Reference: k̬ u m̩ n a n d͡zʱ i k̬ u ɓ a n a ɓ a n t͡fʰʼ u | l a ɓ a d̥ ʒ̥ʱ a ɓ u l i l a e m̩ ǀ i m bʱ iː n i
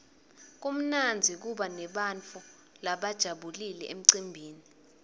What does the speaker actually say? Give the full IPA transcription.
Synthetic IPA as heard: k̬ u m̩ n a n d͡zʱ i k̬ u ɓ a n ɛ ɓ a n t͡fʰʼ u | l a ɓ a d̥ ʒ̥ʱ a ɓ u l i l ɛ e m̩ ǀ i m bʱ iː n i